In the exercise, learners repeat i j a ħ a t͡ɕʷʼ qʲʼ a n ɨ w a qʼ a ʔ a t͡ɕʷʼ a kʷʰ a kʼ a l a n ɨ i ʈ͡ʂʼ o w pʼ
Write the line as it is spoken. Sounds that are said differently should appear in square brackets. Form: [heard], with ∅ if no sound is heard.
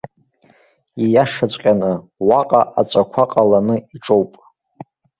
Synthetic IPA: i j a [ʂ] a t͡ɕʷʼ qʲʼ a n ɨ w a qʼ a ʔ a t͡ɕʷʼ a kʷʰ a [qʼ] a l a n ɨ i ʈ͡ʂʼ o w pʼ